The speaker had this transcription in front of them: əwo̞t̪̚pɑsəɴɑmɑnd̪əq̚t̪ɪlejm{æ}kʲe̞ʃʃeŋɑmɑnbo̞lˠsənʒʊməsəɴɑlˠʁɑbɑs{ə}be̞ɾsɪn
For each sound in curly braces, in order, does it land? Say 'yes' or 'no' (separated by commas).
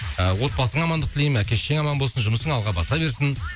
yes, no